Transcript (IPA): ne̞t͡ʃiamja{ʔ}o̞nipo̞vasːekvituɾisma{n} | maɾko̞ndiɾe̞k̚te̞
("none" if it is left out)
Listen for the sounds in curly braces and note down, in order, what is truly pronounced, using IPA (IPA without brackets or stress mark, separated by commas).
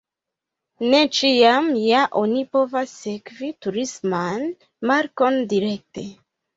ʔ, n